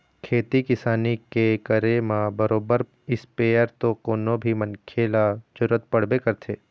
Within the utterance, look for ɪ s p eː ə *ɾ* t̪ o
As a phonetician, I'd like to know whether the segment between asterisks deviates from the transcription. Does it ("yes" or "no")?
no